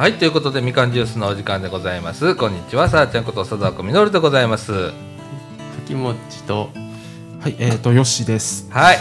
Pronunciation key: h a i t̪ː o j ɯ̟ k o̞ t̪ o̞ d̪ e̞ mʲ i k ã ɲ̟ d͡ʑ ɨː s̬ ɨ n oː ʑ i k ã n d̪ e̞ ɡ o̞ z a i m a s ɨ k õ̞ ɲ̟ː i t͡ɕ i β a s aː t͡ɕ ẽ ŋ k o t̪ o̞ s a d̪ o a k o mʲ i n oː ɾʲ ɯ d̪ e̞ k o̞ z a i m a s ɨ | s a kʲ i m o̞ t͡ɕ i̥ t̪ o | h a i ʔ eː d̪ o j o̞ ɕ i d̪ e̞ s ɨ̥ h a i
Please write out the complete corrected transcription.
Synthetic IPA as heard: h a i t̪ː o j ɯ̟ k o̞ t̪ o̞ d̪ e̞ mʲ i k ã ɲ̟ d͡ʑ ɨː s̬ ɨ n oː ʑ i k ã n d̪ e̞ ɡ o̞ z a i m a s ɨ k õ̞ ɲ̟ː i t͡ɕ i β a s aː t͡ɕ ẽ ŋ k o t̪ o̞ s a d̪ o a k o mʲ i n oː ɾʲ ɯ d̪ e̞ ɡ o̞ z a i m a s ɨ | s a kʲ i m o̞ t͡ɕ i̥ t̪ o | h a i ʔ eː t̪ o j o̞ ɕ i d̪ e̞ s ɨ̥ h a i